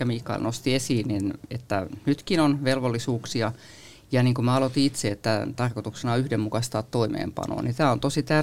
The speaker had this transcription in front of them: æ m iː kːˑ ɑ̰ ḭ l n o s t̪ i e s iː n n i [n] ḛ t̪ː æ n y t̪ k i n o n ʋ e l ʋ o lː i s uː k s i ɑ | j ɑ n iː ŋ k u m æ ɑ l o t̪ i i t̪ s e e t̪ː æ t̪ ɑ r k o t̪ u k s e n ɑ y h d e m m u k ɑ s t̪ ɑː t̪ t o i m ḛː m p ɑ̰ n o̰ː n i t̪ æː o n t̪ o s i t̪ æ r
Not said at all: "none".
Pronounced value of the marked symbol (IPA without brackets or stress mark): n